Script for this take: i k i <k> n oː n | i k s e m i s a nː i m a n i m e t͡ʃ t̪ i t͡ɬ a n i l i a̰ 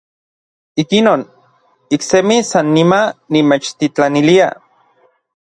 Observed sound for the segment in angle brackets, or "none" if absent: none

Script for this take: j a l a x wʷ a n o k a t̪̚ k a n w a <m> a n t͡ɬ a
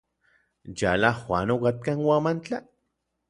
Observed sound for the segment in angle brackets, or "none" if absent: m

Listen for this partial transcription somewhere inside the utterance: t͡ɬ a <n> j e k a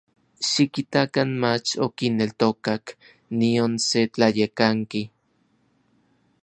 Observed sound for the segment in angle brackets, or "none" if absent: none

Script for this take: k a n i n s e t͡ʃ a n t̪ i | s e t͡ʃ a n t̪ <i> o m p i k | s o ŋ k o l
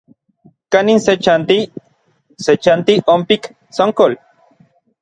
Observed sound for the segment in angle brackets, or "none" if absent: i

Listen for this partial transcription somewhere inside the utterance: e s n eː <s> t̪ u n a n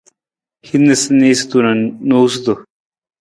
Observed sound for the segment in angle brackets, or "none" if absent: s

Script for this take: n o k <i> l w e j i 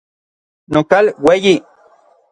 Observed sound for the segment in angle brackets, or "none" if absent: a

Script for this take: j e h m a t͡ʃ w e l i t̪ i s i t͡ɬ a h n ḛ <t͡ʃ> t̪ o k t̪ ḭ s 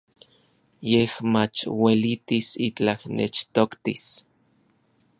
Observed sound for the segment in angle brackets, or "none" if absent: t͡ʃ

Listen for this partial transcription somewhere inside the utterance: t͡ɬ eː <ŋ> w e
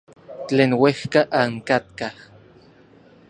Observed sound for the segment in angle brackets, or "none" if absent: n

